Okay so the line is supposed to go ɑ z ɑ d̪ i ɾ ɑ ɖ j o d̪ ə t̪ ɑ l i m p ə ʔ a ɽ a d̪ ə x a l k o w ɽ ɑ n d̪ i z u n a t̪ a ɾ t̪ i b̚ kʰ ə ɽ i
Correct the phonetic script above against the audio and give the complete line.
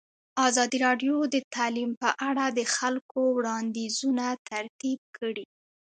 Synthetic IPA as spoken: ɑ z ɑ d̪ i ɾ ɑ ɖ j o d̪ ə t̪ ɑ l i m p ə ʔ a ɽ a d̪ ə x a l k o w ɽ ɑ n d̪ i z u n a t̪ a ɾ t̪ i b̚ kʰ ə ɽ i